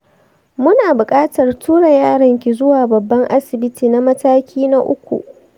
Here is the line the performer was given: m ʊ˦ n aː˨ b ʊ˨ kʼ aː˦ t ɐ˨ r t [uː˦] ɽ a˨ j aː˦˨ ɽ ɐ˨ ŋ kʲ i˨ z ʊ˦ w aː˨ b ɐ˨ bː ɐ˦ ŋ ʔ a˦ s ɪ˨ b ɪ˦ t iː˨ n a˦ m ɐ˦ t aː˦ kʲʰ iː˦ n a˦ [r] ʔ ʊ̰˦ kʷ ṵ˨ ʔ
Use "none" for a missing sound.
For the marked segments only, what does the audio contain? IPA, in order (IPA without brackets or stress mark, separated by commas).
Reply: uː˦, none